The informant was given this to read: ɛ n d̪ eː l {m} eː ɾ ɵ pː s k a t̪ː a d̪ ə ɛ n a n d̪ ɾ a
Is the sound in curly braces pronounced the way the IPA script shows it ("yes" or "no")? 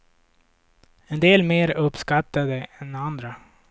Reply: yes